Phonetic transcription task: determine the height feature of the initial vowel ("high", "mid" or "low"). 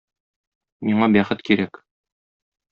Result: high